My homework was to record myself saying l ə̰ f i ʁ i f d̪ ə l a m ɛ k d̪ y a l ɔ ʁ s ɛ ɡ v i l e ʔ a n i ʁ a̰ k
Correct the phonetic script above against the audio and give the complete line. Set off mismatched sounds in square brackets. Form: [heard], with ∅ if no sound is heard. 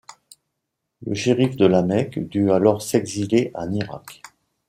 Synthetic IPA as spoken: l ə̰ [ʃ] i ʁ i f d̪ ə l a m ɛ k d̪ y a l ɔ ʁ s ɛ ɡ [z] i l e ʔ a n i ʁ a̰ k